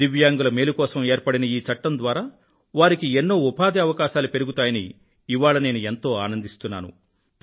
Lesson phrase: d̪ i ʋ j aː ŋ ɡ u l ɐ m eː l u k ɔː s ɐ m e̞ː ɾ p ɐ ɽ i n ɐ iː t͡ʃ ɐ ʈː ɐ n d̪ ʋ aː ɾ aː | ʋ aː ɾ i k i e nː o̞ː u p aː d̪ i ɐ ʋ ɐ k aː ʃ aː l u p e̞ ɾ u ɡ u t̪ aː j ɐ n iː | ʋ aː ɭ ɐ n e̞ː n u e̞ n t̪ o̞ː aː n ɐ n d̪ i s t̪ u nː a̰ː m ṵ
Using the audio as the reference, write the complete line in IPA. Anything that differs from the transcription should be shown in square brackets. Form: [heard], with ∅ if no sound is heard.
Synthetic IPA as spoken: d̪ i ʋ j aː ŋ ɡ u l ɐ m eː l u k ɔː s ɐ m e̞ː ɾ p ɐ ɽ i n ɐ iː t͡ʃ ɐ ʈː ɐ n d̪ ʋ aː ɾ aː | ʋ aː ɾ i k i e nː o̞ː u p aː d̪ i ɐ ʋ ɐ k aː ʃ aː l u p e̞ ɾ u ɡ u t̪ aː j ɐ n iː | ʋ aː ɭ ɐ n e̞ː n u e̞ n t̪ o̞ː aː n ɐ n d̪ i s t̪ u nː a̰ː [n] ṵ